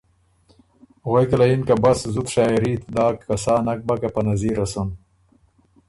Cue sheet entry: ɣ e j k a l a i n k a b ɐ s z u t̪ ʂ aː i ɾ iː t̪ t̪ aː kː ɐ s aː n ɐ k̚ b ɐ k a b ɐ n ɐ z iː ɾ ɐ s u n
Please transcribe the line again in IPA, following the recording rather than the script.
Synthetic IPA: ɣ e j k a l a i n k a b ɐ s z u t̪ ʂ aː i ɾ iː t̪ d̪ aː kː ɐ s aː n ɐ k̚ b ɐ k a p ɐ n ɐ z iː ɾ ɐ s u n